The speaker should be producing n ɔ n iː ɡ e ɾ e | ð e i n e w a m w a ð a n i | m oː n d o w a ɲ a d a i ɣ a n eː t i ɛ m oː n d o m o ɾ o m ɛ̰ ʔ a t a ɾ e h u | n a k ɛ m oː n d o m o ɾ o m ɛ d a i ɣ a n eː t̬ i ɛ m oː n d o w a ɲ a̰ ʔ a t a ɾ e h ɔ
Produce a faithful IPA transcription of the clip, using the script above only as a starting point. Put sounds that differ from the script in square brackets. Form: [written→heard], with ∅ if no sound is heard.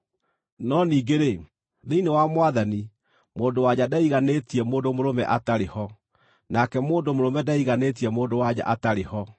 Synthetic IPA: n ɔ n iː ɡ e ɾ e | ð e i n e w a m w a ð a n i | m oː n d o w a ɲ a d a i ɣ a n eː t i ɛ m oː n d o m o ɾ o m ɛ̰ ʔ a t a ɾ e h [u→ɔ] | n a k ɛ m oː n d o m o ɾ o m ɛ d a i ɣ a n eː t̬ i ɛ m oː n d o w a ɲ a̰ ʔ a t a ɾ e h ɔ

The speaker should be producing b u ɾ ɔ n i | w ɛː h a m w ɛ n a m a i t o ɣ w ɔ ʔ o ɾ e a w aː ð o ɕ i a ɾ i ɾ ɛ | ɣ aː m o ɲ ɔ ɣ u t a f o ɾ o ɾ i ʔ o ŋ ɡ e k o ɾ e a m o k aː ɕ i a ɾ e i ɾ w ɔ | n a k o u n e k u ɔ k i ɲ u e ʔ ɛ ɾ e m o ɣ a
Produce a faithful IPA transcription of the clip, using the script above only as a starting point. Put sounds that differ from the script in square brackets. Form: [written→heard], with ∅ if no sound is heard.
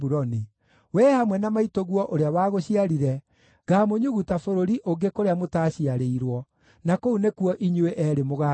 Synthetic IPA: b u ɾ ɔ n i | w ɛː h a m w ɛ n a m a i t o ɣ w ɔ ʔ o ɾ e a w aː [ð→ɣ] o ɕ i a ɾ i ɾ ɛ | ɣ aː m o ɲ [ɔ→u] ɣ u t a f o ɾ o ɾ i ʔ o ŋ ɡ e k o ɾ e a m o [k→t] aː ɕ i a ɾ e i ɾ w ɔ | n a k o u n e k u ɔ [k→ʔ] i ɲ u e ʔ ɛ ɾ e m o ɣ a

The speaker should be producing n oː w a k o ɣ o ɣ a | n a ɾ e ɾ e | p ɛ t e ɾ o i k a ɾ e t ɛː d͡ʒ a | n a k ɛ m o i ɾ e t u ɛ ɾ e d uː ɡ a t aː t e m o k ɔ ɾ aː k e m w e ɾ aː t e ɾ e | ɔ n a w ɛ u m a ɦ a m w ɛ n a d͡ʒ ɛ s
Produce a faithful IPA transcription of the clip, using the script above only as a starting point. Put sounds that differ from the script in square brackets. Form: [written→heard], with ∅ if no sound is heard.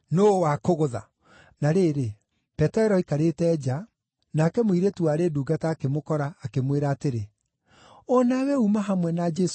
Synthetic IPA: n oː w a k o ɣ o [ɣ→ð] a | n a ɾ e ɾ e | p ɛ t [e→ɛ] ɾ [o→ɔ] i k a ɾ e t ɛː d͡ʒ a | n a k ɛ m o i ɾ e t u [ɛ→a] ɾ e d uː ɡ a t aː [t→k] e m o k ɔ ɾ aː k e m w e ɾ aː t e ɾ e | ɔ n a w ɛ u m a ɦ a m w ɛ n a d͡ʒ ɛ s

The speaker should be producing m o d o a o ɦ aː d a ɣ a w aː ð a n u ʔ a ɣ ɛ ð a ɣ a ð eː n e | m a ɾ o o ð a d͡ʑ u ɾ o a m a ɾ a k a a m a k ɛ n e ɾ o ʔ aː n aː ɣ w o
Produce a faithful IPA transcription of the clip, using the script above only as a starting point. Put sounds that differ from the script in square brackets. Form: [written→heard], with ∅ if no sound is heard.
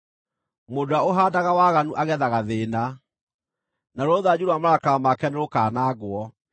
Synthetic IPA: m o d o a o ɦ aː d a ɣ a w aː [ð→ɣ] a n u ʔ a ɣ ɛ ð a ɣ a ð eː n [e→a] | [m→n] a ɾ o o ð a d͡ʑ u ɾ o a m a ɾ a k a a m a k ɛ n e ɾ o [ʔ→k] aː n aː ɣ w [o→ɔ]

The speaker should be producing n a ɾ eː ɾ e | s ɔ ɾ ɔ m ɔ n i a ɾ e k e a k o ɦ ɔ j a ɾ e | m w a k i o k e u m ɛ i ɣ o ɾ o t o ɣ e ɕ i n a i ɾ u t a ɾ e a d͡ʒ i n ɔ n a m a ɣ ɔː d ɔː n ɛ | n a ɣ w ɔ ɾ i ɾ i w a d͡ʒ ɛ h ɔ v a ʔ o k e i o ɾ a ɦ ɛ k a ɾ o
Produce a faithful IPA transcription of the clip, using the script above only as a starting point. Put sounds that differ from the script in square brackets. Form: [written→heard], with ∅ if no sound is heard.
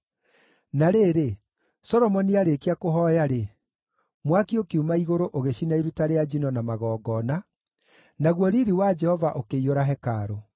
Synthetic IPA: n a ɾ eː ɾ e | s ɔ ɾ ɔ m ɔ n i a ɾ e k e a k o ɦ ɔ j a ɾ e | m w a k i o k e u m [ɛ→a] i ɣ o ɾ o [t→ʔ] o ɣ e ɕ i n a i ɾ u t a ɾ e a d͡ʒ i n ɔ n a m a ɣ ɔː [d→ɡ] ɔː n [ɛ→a] | n a ɣ w ɔ ɾ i ɾ i w a d͡ʒ ɛ h ɔ v a ʔ o k e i o ɾ a ɦ ɛ k a ɾ o

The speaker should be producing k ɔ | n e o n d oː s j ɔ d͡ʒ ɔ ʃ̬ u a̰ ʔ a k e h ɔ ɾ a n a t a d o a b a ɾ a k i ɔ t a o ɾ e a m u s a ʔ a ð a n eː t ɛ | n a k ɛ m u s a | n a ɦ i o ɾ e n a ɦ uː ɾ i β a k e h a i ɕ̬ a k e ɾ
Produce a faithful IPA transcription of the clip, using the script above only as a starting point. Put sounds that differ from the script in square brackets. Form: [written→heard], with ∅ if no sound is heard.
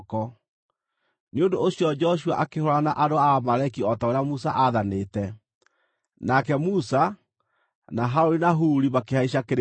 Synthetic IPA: k ɔ | n e o n d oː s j ɔ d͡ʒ ɔ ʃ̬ u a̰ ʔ a k e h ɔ ɾ a n a [t→ʔ] a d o a [b→m] a ɾ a k i ɔ t a o ɾ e a m u s a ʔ a ð a n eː t ɛ | n a k ɛ m u s a | n a ɦ [i→a] o ɾ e n a ɦ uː ɾ i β a k e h a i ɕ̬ a k e ɾ

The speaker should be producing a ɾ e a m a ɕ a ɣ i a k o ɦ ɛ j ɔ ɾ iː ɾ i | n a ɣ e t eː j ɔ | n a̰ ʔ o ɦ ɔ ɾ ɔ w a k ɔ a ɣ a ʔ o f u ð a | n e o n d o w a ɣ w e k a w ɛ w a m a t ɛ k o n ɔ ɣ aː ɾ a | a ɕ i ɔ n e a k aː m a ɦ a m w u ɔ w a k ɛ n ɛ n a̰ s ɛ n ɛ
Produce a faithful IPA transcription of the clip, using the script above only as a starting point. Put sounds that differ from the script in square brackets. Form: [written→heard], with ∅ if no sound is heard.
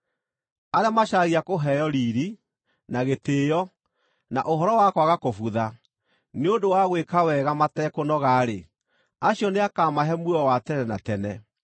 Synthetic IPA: a ɾ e a m a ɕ a ɣ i a k o ɦ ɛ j ɔ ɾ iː ɾ i | n a ɣ e t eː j ɔ | n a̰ ʔ o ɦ ɔ ɾ ɔ w a k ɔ a ɣ a [ʔ→k] o f u ð a | n e o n d o w a ɣ w e k a w ɛ [w→ɣ] a m a t ɛ k o n ɔ ɣ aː ɾ [a→e] | a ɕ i ɔ n e a k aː m a ɦ [a→ɛ] m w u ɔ w a [k→t] ɛ n ɛ n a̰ [s→t] ɛ n ɛ

